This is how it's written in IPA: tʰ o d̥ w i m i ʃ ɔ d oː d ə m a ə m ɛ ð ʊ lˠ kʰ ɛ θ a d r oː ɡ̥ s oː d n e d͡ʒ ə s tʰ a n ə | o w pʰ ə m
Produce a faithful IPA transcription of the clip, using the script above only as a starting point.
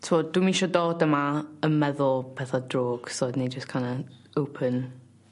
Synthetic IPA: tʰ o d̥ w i m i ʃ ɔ d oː d ə m a ə m ɛ ð ʊ lˠ pʰ ɛ θ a d r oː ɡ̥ s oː d n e d͡ʒ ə s kʰ a n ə | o w pʰ ə n